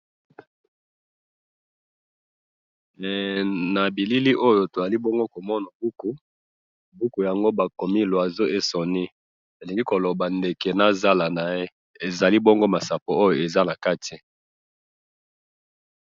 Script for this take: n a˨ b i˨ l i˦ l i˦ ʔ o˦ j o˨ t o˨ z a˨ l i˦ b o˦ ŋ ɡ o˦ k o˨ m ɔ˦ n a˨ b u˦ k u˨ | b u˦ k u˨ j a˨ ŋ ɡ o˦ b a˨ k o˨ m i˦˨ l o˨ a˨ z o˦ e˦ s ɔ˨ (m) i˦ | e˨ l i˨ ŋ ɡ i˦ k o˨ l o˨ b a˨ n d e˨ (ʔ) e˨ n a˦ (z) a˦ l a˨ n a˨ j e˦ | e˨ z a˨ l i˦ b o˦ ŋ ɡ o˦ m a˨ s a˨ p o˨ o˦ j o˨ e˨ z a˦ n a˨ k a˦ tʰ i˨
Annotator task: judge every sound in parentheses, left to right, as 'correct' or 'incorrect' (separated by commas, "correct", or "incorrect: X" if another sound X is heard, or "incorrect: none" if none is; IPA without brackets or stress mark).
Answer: incorrect: n, incorrect: k, correct